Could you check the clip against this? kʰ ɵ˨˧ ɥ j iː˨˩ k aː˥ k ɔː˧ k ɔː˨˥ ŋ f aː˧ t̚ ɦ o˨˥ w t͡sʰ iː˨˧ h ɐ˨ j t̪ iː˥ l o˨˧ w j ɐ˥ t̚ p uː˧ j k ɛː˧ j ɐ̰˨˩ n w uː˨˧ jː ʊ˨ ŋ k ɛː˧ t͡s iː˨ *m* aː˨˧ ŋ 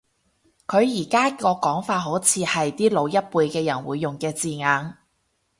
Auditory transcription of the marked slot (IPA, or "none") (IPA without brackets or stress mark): ŋ